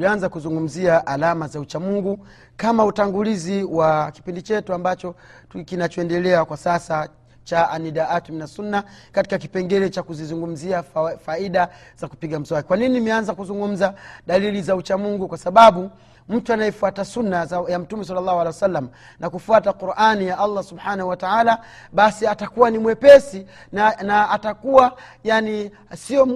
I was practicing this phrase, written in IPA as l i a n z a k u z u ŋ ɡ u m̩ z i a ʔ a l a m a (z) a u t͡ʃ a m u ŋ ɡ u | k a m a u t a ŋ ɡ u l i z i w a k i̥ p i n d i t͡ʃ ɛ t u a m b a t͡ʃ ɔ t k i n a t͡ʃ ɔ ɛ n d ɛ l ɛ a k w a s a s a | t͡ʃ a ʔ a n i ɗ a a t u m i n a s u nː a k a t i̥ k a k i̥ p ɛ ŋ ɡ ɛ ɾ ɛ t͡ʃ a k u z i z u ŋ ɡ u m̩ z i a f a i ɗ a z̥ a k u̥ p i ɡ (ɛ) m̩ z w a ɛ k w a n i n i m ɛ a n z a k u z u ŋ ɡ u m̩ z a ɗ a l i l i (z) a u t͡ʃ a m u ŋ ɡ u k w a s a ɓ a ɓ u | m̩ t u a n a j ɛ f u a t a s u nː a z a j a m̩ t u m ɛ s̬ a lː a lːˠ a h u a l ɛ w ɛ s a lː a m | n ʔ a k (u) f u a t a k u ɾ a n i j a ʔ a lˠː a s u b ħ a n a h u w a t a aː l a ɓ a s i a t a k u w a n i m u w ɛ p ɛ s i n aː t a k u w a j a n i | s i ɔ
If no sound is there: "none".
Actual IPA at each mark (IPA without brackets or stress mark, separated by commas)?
z, a, z, u